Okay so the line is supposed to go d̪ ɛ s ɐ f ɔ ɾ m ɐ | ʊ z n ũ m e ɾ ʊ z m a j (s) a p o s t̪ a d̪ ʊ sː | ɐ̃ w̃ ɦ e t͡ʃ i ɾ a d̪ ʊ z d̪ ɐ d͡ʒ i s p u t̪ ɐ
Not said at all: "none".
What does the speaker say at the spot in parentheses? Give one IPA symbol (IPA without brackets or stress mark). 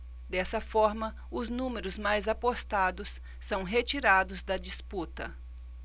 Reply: z